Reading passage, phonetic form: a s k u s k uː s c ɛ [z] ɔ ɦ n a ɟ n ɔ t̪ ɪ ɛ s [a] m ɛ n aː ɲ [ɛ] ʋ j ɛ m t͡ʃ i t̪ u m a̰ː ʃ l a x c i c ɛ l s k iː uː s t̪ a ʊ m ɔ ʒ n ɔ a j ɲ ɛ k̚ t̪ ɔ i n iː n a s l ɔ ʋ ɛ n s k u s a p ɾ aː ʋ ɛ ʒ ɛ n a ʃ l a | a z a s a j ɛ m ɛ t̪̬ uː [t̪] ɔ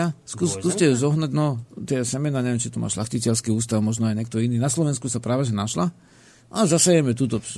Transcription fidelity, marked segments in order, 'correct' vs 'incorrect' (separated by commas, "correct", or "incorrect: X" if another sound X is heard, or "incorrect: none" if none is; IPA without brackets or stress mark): correct, incorrect: ɛ, correct, correct